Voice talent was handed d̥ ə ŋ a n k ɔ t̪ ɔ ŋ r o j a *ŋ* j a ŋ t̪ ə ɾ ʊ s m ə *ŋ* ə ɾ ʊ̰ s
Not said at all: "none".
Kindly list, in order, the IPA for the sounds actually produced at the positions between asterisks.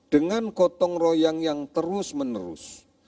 ŋ, n

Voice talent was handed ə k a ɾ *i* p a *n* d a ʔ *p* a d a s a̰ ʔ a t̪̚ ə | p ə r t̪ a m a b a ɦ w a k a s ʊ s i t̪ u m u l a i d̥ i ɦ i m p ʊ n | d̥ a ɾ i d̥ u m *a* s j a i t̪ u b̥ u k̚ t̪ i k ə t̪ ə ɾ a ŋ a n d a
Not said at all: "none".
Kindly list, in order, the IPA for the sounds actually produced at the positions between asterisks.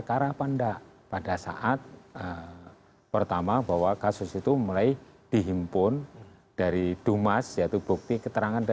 a, n, p, a

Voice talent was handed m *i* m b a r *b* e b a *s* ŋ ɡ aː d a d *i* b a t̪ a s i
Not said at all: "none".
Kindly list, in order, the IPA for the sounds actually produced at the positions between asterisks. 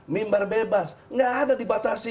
i, b, s, i

